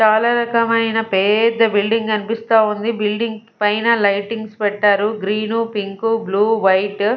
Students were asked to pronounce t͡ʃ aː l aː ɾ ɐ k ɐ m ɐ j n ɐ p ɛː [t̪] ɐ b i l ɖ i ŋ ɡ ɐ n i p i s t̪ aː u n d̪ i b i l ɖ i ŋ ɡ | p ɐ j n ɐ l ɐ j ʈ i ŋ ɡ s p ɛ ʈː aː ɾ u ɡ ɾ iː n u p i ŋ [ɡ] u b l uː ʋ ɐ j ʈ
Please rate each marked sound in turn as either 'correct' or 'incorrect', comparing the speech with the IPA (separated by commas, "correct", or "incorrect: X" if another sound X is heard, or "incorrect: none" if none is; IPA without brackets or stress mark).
incorrect: d̪, incorrect: k